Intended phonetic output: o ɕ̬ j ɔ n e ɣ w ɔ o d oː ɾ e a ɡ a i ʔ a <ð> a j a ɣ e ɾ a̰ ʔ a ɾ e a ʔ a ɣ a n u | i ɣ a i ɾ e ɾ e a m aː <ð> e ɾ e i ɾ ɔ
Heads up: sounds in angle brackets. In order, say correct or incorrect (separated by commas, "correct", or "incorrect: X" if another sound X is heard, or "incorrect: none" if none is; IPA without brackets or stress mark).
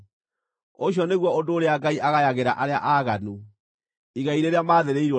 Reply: incorrect: ɣ, correct